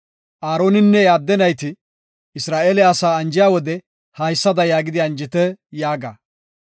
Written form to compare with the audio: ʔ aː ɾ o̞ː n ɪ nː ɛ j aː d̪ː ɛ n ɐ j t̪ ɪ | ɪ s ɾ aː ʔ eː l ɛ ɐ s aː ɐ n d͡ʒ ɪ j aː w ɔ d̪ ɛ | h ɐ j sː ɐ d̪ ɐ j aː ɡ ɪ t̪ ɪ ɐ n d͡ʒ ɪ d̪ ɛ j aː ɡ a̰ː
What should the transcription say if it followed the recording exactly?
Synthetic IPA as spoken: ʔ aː ɾ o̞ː n ɪ nː ɛ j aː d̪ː ɛ n ɐ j t̪ ɪ | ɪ s ɾ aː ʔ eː l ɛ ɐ s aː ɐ n d͡ʒ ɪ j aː w ɔ d̪ ɛ | h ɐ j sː ɐ d̪ ɐ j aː ɡ ɪ d̪ ɪ ɐ n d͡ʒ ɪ t̪ ɛ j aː ɡ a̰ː